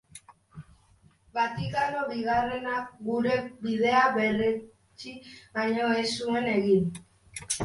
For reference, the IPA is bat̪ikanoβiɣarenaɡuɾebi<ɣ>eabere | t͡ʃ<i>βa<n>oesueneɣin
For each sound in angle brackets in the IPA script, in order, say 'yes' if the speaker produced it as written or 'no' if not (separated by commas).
no, yes, no